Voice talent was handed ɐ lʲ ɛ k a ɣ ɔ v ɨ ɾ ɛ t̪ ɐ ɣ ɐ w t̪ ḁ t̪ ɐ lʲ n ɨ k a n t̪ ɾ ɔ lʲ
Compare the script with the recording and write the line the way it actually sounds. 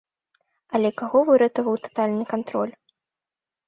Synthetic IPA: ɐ lʲ ɛ k a ɣ ɔ v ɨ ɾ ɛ t̪ ɐ v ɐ w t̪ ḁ t̪ a lʲ n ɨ k a n t̪ ɾ ɔ lʲ